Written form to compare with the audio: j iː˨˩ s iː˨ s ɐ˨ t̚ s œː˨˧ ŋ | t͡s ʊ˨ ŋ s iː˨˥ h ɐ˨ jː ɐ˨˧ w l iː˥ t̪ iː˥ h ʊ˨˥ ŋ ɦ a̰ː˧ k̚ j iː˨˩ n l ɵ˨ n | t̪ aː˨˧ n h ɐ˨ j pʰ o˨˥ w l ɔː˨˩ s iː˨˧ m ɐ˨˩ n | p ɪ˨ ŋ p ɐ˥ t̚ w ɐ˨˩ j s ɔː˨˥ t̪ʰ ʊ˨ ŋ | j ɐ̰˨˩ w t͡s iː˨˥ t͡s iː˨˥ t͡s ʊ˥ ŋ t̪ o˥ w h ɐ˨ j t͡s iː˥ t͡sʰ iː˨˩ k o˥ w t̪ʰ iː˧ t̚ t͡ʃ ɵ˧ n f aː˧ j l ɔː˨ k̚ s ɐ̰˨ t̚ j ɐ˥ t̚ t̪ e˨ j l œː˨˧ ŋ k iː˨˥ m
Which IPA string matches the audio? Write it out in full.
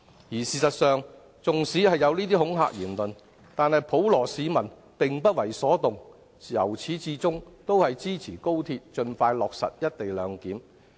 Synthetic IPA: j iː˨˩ s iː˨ s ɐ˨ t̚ s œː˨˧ ŋ | t͡s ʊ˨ ŋ s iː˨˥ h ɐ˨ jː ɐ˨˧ w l iː˥ t̪ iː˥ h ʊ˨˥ ŋ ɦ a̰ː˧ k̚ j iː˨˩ n l ɵ˨ n | t̪ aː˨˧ n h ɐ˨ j pʰ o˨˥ w l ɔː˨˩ s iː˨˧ m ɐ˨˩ n | p ɪ˨ ŋ p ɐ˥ t̚ w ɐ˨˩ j s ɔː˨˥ t̪ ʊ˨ ŋ | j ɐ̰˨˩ w t͡sʰ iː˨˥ t͡s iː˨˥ t͡s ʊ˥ ŋ t̪ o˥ w h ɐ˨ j t͡s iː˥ t͡sʰ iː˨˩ k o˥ w t̪ʰ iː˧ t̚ t͡ʃ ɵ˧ n f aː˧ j l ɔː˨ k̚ s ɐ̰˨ t̚ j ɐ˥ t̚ t̪ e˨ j l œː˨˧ ŋ k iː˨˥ m

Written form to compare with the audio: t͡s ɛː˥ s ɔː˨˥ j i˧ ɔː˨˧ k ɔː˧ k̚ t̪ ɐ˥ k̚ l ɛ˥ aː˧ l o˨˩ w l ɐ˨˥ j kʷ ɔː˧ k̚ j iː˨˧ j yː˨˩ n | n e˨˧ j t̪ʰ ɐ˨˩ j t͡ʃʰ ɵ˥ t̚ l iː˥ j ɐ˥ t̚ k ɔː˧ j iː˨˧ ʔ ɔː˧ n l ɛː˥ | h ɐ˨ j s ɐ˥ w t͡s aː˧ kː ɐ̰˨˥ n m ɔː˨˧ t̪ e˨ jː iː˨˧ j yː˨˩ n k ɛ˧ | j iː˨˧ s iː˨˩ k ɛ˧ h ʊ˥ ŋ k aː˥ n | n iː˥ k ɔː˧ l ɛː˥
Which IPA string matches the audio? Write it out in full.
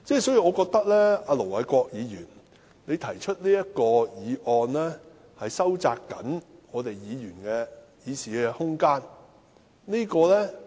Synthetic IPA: t͡s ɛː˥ s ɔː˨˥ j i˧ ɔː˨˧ k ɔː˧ k̚ t̪ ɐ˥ k̚ l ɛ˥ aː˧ l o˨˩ w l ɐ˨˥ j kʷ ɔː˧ k̚ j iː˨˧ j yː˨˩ n | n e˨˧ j t̪ʰ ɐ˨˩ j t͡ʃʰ ɵ˥ t̚ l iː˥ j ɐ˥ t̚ k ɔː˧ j iː˨˧ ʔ ɔː˧ n l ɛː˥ | h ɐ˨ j s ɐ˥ w t͡s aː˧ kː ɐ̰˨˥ n ŋ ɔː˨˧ t̪ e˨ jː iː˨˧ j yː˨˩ n k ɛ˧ | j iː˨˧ s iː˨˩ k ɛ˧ h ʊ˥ ŋ k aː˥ n | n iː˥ k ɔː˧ l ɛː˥

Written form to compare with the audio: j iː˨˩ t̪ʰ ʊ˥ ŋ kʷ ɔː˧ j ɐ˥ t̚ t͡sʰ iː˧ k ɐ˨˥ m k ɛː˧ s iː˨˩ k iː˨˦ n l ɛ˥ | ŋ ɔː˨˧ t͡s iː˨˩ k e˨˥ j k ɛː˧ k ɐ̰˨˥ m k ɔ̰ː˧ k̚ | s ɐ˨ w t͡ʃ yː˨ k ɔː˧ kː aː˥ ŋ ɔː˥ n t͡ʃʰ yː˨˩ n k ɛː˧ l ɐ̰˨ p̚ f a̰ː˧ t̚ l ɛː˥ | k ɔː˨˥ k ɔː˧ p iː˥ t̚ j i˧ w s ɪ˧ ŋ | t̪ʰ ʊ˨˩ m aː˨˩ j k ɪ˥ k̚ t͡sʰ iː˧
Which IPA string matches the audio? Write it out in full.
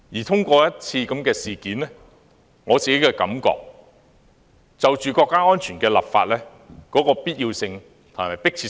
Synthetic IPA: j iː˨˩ t̪ʰ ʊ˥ ŋ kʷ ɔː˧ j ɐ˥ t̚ t͡sʰ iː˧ k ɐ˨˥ m k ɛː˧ s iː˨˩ k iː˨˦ n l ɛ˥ | ŋ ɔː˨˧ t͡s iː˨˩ k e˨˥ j k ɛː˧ k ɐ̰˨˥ m k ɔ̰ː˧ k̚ | t͡s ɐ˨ w t͡ʃ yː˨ k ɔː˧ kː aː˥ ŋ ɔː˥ n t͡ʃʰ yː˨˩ n k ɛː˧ l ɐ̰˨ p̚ f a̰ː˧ t̚ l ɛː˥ | k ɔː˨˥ k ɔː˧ p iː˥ t̚ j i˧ w s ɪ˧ ŋ | t̪ʰ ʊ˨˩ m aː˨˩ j p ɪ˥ k̚ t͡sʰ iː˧

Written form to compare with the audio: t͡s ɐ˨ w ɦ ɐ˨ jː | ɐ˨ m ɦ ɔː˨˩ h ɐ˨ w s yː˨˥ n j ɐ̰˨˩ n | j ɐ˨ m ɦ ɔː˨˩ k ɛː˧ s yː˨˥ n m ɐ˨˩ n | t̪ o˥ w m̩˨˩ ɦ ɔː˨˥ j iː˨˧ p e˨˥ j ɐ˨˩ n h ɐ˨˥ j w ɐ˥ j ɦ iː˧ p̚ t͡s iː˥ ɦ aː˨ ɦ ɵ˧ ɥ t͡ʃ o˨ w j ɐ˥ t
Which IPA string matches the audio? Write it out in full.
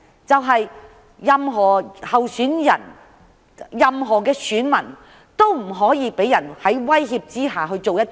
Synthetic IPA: t͡s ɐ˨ w ɦ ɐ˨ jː | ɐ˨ m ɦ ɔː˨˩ h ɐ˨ w s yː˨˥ n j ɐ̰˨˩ n | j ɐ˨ m ɦ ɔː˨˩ k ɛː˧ s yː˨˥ n m ɐ˨˩ n | t̪ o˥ w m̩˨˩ ɦ ɔː˨˥ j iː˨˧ p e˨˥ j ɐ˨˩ n h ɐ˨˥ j w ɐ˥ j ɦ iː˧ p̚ t͡s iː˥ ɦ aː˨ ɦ ɵ˧ ɥ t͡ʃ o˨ w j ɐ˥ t

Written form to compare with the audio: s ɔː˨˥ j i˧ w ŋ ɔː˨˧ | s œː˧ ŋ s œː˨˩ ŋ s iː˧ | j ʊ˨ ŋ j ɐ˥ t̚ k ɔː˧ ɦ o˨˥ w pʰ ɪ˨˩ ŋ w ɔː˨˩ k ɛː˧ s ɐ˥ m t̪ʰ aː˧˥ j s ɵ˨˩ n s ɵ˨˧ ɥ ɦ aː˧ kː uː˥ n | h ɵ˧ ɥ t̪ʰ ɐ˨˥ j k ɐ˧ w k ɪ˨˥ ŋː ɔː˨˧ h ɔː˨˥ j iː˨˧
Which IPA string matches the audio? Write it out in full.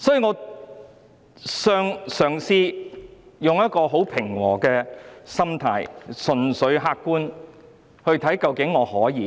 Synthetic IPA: s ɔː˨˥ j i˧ ŋ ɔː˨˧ | s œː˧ ŋ s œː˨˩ ŋ s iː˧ | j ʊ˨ ŋ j ɐ˥ t̚ k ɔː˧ ɦ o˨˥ w pʰ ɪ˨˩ ŋ w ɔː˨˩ k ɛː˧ s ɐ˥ m t̪ʰ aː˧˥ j s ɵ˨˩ n s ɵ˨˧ ɥ ɦ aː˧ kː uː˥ n | h ɵ˧ ɥ t̪ʰ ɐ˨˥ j k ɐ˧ w k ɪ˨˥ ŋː ɔː˨˧ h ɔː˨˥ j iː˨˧

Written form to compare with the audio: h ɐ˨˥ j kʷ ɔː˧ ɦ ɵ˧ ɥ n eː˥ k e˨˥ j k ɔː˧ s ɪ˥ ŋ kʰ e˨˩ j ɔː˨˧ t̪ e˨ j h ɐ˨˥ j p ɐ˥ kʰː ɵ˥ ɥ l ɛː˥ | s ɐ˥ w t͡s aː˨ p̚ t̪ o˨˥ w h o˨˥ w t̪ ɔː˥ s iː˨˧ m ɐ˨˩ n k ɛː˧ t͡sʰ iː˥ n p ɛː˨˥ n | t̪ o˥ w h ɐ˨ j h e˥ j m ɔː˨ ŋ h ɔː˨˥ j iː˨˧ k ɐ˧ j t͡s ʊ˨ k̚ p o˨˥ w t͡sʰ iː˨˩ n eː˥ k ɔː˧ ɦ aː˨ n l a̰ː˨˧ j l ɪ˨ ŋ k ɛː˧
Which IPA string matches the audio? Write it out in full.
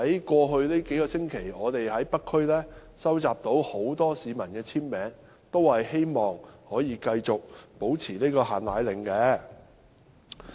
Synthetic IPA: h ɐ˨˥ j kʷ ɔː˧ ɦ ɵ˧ ɥ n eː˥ k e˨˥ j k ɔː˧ s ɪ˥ ŋ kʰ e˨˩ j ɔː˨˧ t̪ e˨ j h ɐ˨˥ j p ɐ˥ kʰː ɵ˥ ɥ l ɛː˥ | s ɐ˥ w t͡s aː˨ p̚ t̪ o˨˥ w h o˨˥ w t̪ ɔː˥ s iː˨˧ m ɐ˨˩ n k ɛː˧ t͡sʰ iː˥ n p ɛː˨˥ ŋ | t̪ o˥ w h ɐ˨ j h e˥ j m ɔː˨ ŋ h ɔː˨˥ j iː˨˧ k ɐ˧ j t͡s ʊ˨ k̚ p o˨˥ w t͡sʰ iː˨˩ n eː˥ k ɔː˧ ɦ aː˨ n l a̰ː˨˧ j l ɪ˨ ŋ k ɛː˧

